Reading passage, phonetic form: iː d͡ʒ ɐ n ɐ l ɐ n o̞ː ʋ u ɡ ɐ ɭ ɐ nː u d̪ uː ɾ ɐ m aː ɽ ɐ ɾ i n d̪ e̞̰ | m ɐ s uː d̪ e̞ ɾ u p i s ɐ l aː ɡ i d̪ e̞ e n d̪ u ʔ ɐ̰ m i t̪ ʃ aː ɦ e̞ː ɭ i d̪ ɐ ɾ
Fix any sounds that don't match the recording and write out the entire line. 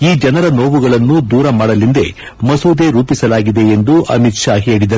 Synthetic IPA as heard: iː d͡ʒ ɐ n ɐ ɾ ɐ n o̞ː ʋ u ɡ ɐ ɭ ɐ nː u d̪ uː ɾ ɐ m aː ɽ ɐ l i n d̪ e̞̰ | m ɐ s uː d̪ e̞ ɾ uː p i s ɐ l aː ɡ i d̪ e̞ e n d̪ u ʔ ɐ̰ m i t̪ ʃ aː ɦ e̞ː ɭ i d̪ ɐ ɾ